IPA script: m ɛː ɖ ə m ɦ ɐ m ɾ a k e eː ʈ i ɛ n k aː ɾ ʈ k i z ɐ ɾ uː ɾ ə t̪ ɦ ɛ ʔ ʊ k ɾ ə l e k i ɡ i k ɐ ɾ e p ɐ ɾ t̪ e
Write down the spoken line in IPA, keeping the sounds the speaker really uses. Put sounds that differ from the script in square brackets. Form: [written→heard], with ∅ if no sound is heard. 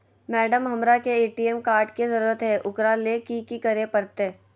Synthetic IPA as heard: m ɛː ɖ ə m ɦ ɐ m ɾ a k e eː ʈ i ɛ [n→m] k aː ɾ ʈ k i z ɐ ɾ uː ɾ ə t̪ ɦ ɛ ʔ ʊ k ɾ [ə→a] l e k i [ɡ→k] i k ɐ ɾ e p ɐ ɾ t̪ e